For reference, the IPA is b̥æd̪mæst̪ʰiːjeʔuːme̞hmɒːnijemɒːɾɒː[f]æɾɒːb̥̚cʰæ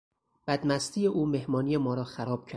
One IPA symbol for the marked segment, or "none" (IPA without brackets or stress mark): x